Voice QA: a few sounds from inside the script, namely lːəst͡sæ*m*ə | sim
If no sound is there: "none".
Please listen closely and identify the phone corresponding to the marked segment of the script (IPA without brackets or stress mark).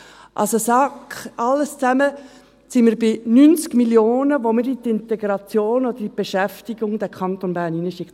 m